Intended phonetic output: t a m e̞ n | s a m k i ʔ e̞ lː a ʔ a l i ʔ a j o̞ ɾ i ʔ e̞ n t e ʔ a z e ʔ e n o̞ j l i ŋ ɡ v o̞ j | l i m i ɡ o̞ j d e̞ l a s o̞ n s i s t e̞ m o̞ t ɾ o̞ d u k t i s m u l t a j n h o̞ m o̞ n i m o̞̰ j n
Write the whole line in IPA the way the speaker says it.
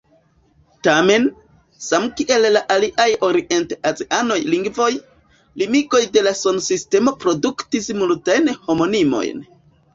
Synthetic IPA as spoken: t a m e̞ n | s a m k i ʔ e̞ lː a ʔ a l i ʔ a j o̞ ɾ i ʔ e̞ n t e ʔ a z e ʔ a n o̞ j l i ŋ ɡ v o̞ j | l i m i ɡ o̞ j d e̞ l a s o̞ n s i s t e̞ m o̞ p ɾ o̞ d u k t i s m u l t a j n h o̞ m o̞ n i m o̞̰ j n